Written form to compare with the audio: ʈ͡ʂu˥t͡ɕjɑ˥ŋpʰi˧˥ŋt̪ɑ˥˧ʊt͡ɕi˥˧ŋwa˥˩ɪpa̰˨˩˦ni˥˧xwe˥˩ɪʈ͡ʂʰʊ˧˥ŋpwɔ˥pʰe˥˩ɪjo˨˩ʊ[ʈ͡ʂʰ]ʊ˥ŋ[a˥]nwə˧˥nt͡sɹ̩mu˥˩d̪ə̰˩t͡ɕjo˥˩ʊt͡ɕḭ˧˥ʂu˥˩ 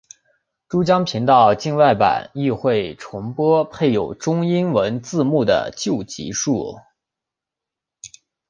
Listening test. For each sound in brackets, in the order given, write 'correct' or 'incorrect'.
incorrect: ʈ͡ʂ, incorrect: i˥

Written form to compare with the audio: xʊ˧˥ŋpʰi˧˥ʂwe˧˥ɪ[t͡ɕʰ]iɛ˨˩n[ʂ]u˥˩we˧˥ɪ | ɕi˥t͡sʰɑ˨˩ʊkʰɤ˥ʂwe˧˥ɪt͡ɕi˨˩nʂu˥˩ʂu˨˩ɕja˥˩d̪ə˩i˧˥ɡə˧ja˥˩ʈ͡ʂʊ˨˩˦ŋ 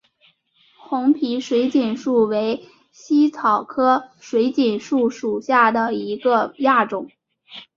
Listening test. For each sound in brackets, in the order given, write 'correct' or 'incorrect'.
incorrect: t͡ɕ, correct

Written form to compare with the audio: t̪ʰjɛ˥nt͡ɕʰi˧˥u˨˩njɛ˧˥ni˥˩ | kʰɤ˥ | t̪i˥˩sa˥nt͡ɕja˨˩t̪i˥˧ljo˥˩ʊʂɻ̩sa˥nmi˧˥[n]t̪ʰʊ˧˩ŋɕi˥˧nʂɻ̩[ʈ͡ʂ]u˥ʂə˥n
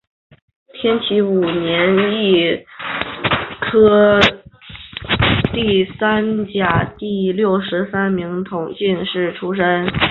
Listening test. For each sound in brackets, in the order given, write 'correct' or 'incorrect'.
incorrect: ŋ, incorrect: ʈ͡ʂʰ

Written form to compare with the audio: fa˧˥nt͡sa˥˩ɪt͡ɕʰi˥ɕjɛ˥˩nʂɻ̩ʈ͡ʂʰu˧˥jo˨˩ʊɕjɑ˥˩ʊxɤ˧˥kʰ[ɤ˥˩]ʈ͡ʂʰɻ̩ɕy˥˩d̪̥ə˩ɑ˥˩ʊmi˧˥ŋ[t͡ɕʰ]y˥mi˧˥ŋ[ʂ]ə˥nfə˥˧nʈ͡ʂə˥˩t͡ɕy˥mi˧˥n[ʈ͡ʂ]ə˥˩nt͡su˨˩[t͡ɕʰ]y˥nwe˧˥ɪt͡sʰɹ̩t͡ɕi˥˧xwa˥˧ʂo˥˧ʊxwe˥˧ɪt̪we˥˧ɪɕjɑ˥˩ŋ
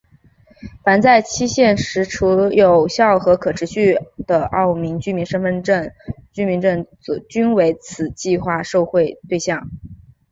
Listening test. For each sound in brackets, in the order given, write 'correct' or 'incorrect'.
incorrect: ɤ˨˩, incorrect: t͡ɕ, correct, correct, incorrect: t͡ɕ

